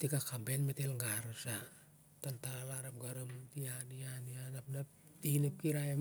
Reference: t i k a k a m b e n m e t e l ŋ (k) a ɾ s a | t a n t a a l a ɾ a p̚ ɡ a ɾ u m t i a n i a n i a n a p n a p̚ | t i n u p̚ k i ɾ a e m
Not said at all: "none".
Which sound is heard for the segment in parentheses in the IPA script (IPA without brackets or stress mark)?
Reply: ɡ